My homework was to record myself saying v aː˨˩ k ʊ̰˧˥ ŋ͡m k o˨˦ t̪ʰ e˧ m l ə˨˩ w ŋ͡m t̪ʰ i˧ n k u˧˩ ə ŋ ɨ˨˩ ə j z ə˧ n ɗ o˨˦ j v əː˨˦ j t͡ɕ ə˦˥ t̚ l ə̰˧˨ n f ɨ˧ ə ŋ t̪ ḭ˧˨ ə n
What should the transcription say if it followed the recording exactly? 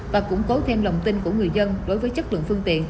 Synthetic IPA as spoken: v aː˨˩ k ʊ̰˧˥ ŋ͡m k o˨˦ t̪ʰ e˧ m l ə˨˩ w ŋ͡m t̪ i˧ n k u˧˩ ə ŋ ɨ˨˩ ə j z ə˧ n ɗ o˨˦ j v əː˨˦ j t͡ɕ ə˦˥ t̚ l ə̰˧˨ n f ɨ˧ ə ŋ t̪ ḭ˧˨ ə n